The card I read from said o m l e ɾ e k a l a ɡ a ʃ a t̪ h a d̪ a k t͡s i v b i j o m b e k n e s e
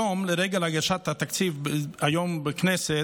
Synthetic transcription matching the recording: o m l e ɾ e ɡ a l a ɡ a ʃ a t̪ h a t̪ a k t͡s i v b a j o m b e k n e s e